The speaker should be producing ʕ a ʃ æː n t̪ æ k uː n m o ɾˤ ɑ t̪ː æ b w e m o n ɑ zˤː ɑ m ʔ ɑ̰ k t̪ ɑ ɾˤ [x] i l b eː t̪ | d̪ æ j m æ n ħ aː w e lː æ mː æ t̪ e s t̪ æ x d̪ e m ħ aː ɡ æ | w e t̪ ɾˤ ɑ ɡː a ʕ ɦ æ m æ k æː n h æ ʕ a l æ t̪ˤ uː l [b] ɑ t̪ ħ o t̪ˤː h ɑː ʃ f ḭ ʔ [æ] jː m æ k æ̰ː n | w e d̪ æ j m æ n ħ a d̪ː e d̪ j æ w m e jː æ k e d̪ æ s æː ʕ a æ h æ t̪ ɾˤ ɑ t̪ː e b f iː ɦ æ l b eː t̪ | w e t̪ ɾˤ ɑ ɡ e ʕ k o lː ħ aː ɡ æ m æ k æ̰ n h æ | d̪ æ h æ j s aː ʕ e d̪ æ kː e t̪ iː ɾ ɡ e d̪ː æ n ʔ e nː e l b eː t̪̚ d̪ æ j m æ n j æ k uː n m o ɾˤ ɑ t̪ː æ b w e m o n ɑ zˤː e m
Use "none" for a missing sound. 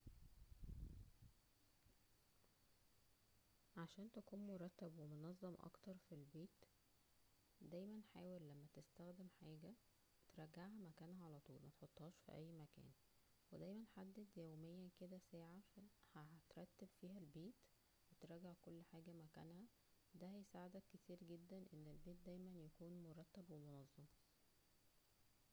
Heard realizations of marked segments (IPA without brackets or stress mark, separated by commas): f, m, æ